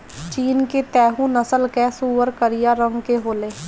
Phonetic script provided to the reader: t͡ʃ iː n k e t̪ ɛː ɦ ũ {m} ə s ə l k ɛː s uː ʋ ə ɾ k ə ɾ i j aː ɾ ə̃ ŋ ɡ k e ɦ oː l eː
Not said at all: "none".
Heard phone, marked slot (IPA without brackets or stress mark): n